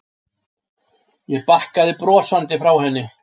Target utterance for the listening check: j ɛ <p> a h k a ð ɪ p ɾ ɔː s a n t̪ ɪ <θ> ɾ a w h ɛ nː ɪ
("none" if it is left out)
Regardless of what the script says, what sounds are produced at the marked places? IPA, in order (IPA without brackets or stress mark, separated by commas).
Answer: p, f